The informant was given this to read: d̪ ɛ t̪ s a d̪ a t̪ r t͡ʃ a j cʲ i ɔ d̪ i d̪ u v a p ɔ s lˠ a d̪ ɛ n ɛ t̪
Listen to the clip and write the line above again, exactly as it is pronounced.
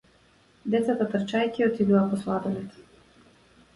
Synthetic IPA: d̪ ɛ t̪ s a t̪ a t̪ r t͡ʃ a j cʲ i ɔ t̪ i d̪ u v a p ɔ s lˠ a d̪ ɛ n ɛ t̪